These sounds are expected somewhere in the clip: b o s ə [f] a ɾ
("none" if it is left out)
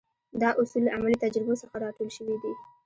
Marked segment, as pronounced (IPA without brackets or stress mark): x